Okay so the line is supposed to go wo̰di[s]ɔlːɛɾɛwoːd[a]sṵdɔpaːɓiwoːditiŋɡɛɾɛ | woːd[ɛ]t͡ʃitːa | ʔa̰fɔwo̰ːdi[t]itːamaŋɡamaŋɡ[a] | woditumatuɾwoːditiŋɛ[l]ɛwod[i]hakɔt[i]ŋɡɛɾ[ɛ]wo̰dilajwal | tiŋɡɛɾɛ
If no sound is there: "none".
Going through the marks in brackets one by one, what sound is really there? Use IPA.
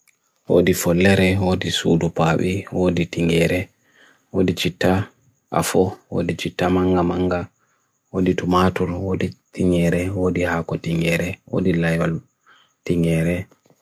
f, i, i, t͡ʃ, a, ɾ, i, i, ɛ

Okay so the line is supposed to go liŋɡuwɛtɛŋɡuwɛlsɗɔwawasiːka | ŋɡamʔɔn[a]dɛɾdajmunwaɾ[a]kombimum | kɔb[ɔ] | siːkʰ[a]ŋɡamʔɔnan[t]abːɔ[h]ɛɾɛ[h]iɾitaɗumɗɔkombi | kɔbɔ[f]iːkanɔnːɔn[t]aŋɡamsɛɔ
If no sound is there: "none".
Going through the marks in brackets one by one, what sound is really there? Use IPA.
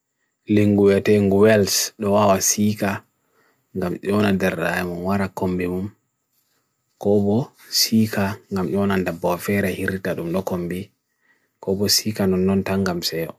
a, a, ɔ, a, d, f, h, s, t

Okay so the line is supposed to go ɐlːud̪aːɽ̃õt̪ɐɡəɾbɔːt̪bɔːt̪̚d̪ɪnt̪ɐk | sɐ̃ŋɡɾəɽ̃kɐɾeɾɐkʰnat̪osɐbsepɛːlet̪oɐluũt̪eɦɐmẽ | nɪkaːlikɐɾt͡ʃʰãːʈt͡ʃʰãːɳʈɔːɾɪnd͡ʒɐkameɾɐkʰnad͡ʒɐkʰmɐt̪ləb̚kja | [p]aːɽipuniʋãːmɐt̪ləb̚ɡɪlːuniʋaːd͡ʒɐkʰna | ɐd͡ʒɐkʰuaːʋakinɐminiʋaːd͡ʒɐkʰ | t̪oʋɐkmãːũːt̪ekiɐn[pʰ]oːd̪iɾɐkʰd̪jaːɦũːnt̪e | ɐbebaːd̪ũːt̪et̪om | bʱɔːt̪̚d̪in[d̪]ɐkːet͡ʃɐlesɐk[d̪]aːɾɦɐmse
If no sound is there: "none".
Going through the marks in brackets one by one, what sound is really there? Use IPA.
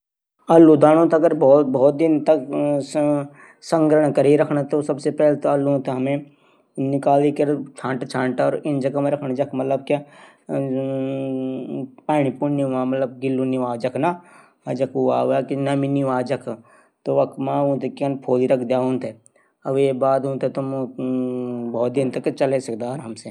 p, pʰ, t̪, d̪

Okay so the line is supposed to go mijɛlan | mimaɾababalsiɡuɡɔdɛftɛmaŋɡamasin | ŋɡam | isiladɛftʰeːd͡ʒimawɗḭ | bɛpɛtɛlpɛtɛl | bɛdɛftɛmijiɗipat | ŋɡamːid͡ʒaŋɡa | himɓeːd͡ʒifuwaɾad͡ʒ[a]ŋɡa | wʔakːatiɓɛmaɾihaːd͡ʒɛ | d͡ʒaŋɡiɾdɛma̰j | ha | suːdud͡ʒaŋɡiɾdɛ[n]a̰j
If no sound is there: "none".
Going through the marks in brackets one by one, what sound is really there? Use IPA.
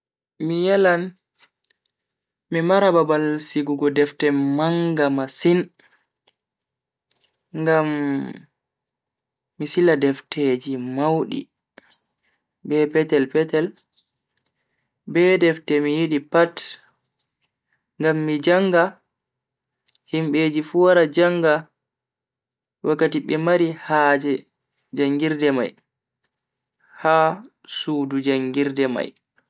a, m

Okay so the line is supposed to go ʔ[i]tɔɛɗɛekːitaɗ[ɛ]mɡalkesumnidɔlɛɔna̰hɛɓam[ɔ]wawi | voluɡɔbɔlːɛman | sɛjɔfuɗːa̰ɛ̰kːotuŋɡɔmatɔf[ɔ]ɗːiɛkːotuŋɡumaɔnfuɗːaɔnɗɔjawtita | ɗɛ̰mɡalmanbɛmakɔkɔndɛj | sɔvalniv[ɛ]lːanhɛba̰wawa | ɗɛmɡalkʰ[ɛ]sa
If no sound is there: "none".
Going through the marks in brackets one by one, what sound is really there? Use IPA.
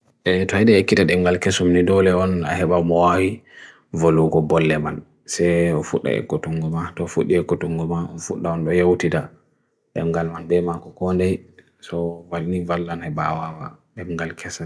ɛ, ɛ, ɔ, u, a, ɛ

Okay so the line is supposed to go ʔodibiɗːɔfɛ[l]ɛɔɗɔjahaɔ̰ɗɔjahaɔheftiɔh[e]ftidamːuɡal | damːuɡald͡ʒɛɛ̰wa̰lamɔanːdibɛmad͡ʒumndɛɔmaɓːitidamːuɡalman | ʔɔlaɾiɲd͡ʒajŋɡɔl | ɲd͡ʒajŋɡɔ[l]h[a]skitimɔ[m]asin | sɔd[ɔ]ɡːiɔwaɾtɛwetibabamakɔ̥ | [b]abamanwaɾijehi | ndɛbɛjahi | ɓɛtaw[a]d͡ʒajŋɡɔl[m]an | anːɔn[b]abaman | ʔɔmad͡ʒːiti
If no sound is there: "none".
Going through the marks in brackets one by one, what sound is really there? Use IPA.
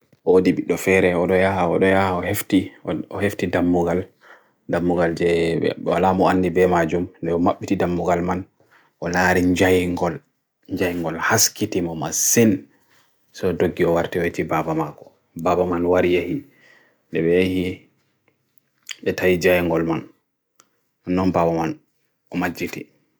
ɾ, e, l, a, m, o, b, i, m, b

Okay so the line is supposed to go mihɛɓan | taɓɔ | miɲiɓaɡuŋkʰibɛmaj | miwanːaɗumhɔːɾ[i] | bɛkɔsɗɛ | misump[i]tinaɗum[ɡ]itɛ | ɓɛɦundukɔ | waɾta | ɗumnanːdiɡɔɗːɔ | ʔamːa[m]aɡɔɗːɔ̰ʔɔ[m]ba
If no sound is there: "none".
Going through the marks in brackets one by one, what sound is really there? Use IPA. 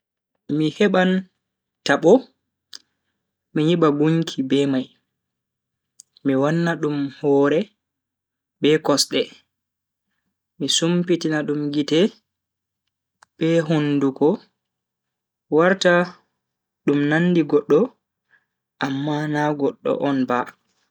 ɛ, i, ɡ, n, n

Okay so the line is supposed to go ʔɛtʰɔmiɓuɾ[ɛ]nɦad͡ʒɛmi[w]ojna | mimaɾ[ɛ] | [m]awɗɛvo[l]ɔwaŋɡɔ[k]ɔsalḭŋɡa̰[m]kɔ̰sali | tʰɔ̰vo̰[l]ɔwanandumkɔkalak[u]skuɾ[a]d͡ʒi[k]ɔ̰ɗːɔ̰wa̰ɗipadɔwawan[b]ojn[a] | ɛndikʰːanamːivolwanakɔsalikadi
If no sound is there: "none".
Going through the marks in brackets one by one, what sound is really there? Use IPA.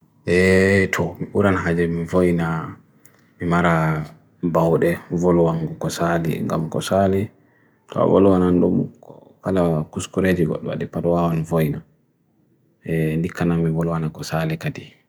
a, v, a, b, l, k, m, l, u, e, ɡ, v, a

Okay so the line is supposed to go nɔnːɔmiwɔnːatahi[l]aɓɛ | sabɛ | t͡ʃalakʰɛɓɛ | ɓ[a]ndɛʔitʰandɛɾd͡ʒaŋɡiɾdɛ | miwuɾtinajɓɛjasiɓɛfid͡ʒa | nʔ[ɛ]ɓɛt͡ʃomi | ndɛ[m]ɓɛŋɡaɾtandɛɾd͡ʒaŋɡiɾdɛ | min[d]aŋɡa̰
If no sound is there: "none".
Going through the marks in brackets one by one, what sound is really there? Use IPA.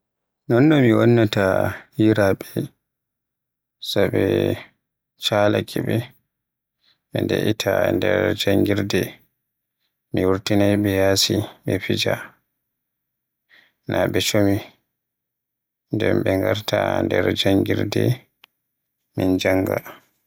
ɾ, ɛ, a, m, d͡ʒ

